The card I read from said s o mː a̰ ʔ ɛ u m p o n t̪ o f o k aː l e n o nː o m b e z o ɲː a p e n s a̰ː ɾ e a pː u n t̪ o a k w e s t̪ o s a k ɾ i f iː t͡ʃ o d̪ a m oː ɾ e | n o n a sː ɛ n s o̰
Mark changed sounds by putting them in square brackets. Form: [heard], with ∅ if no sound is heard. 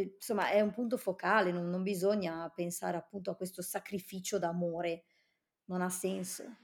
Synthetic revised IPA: s o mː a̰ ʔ ɛ u m p [u] n t̪ o f o k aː l e n o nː o m b [i] z o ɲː a p e n s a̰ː ɾ e a pː u n t̪ o a k w e s t̪ o s a k ɾ i f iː t͡ʃ o d̪ a m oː ɾ e | n o n a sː ɛ n s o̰